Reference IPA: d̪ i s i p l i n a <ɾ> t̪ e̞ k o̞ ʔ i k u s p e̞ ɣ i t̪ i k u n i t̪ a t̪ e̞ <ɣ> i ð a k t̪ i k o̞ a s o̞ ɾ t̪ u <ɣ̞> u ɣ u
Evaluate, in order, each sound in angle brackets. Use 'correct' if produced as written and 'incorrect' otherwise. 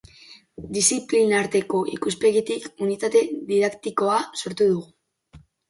correct, incorrect: ð, incorrect: ð̞

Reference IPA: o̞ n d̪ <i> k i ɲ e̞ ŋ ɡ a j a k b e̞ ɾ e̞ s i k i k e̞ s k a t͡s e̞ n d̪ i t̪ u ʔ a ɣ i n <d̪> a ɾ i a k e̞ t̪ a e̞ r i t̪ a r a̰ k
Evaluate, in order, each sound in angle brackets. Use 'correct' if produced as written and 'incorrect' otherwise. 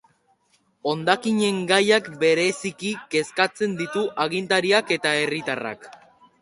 incorrect: a, incorrect: t̪

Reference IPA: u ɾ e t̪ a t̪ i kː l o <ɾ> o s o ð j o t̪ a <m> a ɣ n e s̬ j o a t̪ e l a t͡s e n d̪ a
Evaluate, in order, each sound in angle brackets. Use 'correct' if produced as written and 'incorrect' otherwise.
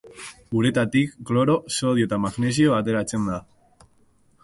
correct, correct

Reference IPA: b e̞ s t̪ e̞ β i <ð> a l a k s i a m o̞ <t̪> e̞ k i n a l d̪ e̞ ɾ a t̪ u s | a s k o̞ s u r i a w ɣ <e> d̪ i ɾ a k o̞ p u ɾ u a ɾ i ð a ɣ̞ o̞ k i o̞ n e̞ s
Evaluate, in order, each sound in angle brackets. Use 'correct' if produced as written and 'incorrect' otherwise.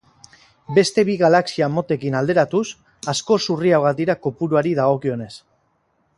incorrect: ɣ, correct, incorrect: a

